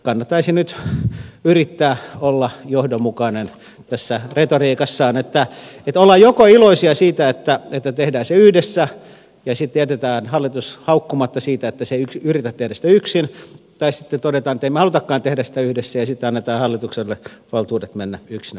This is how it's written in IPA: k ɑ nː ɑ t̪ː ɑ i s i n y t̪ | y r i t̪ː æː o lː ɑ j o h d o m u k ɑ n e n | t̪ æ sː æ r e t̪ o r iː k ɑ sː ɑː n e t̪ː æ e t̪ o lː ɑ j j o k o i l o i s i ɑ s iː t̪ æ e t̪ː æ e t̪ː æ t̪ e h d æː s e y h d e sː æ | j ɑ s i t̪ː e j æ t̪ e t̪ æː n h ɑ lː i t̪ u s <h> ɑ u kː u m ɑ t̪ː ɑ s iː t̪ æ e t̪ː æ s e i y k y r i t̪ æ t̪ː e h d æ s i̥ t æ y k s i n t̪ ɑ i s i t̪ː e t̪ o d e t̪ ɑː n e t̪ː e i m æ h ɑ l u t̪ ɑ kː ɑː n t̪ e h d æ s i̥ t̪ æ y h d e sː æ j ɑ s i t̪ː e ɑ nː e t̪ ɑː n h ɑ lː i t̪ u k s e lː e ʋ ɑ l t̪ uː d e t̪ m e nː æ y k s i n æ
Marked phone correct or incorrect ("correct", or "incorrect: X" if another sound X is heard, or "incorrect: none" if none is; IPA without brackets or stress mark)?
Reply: correct